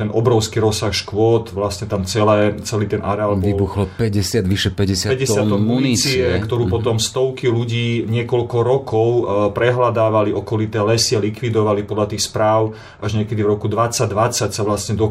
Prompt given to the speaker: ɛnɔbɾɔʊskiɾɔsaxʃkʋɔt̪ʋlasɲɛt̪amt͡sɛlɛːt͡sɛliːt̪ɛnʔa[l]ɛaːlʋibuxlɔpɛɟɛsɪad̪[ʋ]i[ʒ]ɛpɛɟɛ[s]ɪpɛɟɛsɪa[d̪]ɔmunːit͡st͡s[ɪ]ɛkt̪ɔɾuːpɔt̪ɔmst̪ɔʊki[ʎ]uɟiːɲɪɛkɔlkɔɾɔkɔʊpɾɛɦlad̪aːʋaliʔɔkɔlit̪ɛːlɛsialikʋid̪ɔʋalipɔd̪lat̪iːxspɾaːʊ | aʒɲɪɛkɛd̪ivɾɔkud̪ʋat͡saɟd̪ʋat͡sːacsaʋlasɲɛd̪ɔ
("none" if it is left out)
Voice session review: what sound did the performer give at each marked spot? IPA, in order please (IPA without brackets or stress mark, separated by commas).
ɾ, ʋ, ʃ, s, t̪, i, l